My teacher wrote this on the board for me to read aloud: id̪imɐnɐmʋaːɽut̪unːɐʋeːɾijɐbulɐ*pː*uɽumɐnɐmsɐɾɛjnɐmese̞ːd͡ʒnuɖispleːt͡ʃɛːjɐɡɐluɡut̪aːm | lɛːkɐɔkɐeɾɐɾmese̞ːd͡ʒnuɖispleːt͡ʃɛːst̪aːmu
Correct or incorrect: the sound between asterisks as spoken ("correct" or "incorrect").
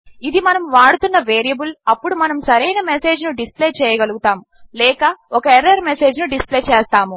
correct